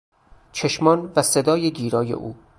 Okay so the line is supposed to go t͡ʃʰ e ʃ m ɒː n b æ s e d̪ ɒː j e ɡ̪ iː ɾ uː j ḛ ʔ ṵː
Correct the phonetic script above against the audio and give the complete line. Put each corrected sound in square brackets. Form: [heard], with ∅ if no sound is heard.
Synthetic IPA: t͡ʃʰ e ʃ m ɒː n [v] æ s e d̪ ɒː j e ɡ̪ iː ɾ [ɒː] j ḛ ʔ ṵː